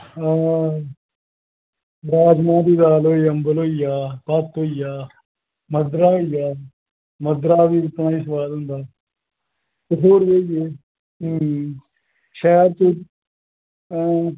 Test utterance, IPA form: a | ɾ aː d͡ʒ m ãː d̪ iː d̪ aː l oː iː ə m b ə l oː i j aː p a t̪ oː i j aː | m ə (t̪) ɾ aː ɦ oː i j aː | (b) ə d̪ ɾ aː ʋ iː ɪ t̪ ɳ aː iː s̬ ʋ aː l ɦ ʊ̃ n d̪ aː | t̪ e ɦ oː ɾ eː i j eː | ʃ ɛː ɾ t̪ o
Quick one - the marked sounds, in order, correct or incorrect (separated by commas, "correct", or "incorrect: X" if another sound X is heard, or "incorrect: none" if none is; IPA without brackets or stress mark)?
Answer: incorrect: d̪, incorrect: m